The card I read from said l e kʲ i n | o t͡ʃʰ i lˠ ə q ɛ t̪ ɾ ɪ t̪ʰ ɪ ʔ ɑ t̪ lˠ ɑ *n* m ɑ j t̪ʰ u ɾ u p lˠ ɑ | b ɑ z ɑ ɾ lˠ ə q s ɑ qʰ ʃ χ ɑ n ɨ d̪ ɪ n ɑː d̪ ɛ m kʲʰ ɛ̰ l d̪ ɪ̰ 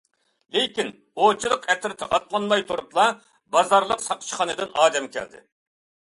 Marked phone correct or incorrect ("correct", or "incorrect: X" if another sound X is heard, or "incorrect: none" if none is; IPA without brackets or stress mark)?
correct